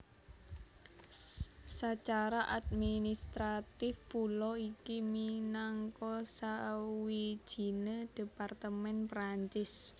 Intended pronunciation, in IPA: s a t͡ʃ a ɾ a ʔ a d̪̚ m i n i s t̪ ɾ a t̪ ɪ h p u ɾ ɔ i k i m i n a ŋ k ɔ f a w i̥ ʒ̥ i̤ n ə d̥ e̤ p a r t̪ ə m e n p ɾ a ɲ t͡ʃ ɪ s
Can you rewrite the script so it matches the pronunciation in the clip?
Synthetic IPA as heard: s a t͡ʃ a ɾ a ʔ a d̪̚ m i n i s t̪ ɾ a t̪ ɪ f p u l ɔ i k i m i n a ŋ k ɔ s a w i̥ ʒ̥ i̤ n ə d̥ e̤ p a r t̪ ə m ɛ n p ɾ a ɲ t͡ʃ ɪ s